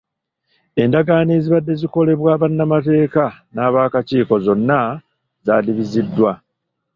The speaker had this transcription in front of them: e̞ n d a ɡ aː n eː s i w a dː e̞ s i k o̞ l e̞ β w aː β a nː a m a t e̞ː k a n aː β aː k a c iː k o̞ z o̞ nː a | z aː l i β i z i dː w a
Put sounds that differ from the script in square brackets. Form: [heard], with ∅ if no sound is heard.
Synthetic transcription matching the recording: e̞ n d a ɡ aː n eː [z] i [β] a dː e̞ [z] i k o̞ l e̞ β w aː β a nː a m a t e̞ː k a n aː β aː k a c iː k o̞ z o̞ nː a | z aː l i β i z i dː w a